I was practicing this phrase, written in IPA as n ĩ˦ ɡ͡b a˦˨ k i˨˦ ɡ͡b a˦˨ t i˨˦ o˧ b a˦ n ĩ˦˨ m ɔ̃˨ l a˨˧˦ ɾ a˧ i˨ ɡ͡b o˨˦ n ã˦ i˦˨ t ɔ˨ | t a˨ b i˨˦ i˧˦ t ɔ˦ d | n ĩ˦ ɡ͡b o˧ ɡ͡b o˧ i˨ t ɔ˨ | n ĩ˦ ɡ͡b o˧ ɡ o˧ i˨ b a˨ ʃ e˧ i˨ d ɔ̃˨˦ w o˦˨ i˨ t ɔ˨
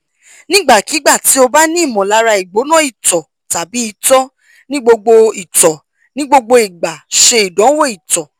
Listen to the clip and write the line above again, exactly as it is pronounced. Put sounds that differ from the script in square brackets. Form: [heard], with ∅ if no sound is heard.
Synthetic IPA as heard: n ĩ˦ ɡ͡b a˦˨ k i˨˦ ɡ͡b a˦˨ t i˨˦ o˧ b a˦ n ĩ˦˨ m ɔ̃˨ l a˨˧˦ ɾ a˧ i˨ ɡ͡b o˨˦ n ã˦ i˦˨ t ɔ˨ | t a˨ b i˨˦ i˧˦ t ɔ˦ [∅] | n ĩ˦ ɡ͡b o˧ ɡ͡b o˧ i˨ t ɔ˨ | n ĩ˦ ɡ͡b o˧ [ɡ͡b] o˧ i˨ [ɡ͡b] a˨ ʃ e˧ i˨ d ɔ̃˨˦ w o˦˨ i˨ t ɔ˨

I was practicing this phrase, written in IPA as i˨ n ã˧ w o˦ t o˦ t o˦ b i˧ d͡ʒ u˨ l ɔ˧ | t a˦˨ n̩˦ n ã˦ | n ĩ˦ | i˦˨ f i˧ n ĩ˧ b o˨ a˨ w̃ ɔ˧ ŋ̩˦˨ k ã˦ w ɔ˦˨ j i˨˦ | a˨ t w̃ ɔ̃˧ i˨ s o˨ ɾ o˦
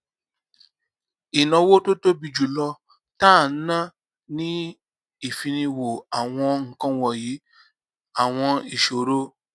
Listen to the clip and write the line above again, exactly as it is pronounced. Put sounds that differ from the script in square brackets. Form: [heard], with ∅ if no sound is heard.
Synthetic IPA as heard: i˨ n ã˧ w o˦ t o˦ t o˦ b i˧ d͡ʒ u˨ l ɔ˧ | t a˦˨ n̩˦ n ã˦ | n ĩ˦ | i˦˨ f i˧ n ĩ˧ [w] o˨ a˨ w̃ [ɔ̃˧] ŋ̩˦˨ k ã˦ w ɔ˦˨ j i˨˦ | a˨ [∅] w̃ ɔ̃˧ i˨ [ʃ] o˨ ɾ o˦

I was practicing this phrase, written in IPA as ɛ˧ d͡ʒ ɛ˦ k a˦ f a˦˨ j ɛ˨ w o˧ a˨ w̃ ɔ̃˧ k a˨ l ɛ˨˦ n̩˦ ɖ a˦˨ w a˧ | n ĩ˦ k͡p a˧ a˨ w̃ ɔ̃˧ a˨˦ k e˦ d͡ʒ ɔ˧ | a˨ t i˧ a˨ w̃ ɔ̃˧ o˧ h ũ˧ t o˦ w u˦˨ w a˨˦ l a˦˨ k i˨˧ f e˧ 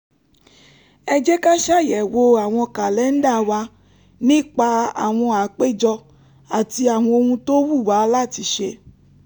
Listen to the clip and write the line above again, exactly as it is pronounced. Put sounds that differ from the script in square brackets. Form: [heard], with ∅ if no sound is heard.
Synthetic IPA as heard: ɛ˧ d͡ʒ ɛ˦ k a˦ [ʃ] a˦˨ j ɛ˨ w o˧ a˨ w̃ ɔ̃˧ k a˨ l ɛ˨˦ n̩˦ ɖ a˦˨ w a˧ | n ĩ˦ k͡p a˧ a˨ w̃ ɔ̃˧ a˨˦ [k͡p] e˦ d͡ʒ ɔ˧ | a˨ t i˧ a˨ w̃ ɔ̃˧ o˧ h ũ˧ t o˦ w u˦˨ w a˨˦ l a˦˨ [t] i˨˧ [ʃ] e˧

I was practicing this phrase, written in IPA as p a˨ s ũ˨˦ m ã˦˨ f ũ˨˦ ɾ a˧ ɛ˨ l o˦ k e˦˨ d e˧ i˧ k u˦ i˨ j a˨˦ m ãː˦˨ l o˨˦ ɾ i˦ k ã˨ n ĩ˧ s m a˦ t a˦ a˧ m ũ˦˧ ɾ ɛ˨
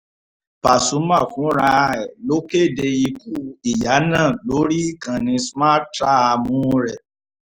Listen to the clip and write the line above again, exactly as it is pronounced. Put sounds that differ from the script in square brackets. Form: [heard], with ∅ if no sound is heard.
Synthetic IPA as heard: p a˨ s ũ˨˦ m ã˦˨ f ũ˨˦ ɾ a˧ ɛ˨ l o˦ k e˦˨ d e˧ i˧ k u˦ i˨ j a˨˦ [n] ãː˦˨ l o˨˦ ɾ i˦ k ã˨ n ĩ˧ s m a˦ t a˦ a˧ m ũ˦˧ ɾ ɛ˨

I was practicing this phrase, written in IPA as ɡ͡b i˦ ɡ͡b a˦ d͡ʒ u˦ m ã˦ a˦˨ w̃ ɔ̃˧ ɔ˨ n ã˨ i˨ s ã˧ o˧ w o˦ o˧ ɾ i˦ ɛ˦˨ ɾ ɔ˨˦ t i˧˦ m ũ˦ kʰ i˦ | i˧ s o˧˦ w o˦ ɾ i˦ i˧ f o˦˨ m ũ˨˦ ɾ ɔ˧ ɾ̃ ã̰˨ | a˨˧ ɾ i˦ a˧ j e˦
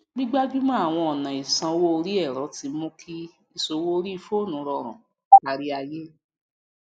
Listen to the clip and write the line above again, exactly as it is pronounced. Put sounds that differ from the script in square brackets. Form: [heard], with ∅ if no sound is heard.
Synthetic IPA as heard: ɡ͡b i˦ ɡ͡b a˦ d͡ʒ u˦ m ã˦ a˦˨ w̃ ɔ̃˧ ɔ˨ n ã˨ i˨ s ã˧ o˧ w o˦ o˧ ɾ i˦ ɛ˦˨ ɾ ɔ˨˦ t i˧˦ m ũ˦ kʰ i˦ | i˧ s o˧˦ w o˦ ɾ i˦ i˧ f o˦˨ [n] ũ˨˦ ɾ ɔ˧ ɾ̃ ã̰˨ | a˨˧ ɾ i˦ a˧ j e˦

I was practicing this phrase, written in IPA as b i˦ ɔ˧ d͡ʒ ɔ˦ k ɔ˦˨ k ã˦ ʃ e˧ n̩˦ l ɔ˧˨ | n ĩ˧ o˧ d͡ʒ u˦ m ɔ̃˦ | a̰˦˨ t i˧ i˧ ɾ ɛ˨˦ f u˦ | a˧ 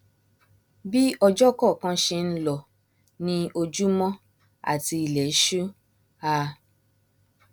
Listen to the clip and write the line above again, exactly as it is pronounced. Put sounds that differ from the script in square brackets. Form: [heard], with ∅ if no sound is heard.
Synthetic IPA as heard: b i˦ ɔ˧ d͡ʒ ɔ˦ k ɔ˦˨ k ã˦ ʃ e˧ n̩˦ l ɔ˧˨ | n ĩ˧ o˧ d͡ʒ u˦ m ɔ̃˦ | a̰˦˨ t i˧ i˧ [l] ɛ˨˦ [ʃ] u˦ | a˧

